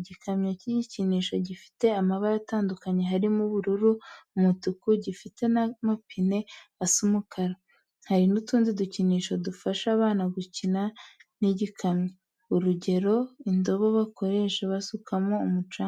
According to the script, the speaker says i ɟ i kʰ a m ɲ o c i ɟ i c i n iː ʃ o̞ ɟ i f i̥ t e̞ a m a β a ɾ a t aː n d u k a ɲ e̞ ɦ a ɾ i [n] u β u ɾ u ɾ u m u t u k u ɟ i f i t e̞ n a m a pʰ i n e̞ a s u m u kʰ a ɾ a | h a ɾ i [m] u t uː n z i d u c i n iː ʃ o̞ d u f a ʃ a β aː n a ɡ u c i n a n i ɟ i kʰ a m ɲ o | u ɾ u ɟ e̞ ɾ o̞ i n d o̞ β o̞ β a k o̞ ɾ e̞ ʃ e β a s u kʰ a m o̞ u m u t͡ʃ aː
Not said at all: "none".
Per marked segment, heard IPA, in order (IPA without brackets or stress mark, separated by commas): m, n